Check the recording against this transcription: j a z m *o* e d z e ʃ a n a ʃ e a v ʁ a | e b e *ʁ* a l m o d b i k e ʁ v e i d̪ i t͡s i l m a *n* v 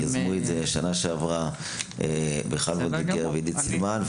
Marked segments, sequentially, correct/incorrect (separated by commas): incorrect, incorrect, correct